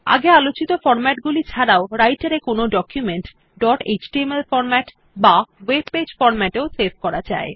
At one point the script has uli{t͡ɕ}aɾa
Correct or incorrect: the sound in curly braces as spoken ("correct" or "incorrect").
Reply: incorrect